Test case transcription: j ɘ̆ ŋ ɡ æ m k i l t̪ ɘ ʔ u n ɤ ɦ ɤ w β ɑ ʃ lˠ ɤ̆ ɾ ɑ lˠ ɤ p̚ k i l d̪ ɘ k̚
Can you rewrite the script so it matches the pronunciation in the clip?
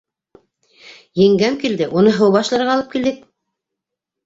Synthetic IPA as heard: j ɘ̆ ŋ ɡ æ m k i l d̪ ɘ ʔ u n ɤ ɦ ɤ w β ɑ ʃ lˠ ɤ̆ ɾ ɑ lˠ ɤ p̚ k i l d̪ ɘ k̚